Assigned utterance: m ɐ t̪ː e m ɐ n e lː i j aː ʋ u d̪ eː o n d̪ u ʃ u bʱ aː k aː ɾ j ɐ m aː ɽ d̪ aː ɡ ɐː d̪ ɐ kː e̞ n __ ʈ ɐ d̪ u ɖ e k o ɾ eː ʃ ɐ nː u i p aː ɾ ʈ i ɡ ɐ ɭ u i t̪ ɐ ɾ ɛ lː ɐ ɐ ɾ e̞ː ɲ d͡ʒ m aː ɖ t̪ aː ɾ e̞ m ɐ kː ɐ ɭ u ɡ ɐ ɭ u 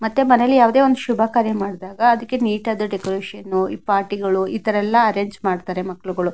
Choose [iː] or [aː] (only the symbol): iː